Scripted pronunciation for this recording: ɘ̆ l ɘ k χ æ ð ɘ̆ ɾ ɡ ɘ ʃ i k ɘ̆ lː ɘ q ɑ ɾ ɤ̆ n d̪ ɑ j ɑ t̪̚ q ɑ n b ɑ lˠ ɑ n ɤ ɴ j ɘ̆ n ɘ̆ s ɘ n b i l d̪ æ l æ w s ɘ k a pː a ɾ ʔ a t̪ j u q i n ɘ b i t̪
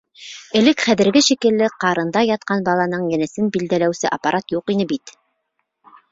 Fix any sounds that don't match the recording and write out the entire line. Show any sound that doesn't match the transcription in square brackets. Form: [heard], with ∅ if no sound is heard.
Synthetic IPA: ɘ̆ l ɘ k χ æ ð ɘ̆ ɾ ɡ ɘ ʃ i k ɘ̆ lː ɘ q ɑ ɾ ɤ̆ n d̪ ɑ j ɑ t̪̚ q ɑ n b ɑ lˠ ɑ n ɤ ɴ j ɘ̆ n ɘ̆ s ɘ n b i l d̪ æ l æ w s ɘ [ʔ] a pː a ɾ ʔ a t̪ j u q i n ɘ b i t̪